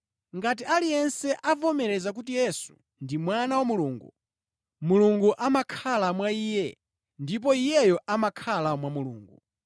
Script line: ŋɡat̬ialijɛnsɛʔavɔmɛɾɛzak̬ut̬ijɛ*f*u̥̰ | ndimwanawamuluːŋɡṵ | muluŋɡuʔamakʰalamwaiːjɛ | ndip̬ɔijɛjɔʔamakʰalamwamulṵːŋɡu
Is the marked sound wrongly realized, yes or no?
yes